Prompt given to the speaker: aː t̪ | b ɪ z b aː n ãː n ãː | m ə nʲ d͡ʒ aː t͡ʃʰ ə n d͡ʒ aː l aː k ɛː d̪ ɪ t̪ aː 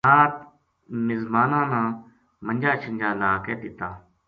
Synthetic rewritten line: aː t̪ | m ɪ z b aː n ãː n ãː | m ə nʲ d͡ʒ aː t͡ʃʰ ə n d͡ʒ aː l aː k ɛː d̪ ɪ t̪ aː